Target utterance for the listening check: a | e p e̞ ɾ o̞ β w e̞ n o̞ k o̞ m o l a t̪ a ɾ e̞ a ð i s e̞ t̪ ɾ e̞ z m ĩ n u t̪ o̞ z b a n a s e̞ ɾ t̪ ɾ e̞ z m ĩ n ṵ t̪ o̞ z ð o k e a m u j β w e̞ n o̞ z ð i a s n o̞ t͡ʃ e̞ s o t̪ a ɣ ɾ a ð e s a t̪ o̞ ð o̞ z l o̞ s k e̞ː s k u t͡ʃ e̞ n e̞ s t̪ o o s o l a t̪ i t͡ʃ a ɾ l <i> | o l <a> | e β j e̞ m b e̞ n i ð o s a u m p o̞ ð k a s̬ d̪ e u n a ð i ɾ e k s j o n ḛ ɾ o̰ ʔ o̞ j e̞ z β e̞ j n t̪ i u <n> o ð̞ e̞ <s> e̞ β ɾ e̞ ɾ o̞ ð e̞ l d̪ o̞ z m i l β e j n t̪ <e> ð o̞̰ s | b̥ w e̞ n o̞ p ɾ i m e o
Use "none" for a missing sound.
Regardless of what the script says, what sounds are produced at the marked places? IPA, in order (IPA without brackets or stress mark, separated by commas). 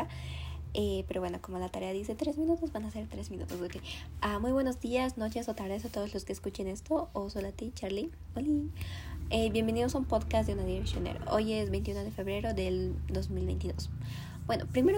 i, i, n, f, i